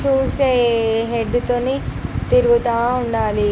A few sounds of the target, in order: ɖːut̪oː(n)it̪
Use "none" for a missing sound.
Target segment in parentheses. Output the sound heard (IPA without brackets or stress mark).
n